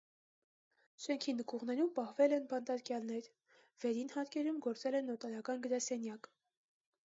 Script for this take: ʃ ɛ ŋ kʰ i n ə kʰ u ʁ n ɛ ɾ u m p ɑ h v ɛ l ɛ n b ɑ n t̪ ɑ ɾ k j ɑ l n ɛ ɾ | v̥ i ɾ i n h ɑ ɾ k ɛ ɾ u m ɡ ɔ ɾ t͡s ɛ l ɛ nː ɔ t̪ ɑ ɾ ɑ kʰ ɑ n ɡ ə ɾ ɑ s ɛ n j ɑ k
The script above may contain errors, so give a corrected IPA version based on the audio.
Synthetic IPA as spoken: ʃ ɛ ŋ kʰ i n ə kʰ u ʁ n ɛ ɾ u m p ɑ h v ɛ l ɛ n b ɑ n t̪ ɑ ɾ k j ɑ l n ɛ ɾ | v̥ ɛ ɾ i n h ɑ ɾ k ɛ ɾ u m ɡ ɔ ɾ t͡s ɛ l ɛ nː ɔ t̪ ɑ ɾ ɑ k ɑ n ɡ ə ɾ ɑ s ɛ n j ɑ k